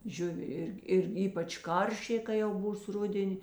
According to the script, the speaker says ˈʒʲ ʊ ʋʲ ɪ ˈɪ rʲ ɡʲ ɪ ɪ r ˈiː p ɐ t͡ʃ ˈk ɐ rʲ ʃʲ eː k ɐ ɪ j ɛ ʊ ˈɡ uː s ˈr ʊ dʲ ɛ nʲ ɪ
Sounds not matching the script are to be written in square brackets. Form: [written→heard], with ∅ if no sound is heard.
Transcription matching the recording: ˈʒʲ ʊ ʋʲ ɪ ˈɪ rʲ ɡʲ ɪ ɪ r ˈiː p ɐ t͡ʃ ˈk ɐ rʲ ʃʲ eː k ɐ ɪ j ɛ ʊ [ˈɡ→ˈb] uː s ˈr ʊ dʲ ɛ nʲ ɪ